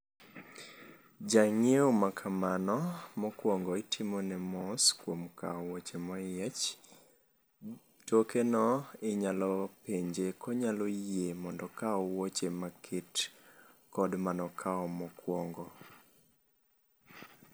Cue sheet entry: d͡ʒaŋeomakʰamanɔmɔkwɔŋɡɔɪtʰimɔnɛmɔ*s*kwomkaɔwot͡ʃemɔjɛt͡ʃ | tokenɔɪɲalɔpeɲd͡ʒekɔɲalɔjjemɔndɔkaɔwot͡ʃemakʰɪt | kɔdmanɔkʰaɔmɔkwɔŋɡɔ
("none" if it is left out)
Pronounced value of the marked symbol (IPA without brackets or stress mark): s